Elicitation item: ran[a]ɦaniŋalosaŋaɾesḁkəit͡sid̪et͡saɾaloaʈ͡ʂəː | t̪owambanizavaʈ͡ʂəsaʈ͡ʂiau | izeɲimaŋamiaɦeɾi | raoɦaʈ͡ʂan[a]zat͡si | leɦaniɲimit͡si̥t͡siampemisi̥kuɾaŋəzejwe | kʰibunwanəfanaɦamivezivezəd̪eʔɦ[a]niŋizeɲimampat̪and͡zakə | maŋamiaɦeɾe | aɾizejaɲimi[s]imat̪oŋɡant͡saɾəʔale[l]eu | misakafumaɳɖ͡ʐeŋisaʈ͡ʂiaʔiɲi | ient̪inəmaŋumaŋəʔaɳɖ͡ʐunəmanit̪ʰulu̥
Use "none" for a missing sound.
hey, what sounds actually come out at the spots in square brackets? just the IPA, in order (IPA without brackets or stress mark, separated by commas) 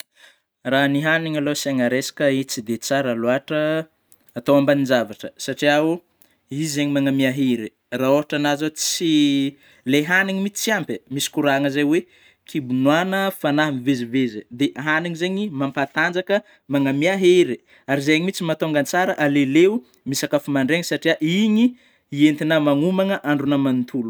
i, a, a, t͡s, l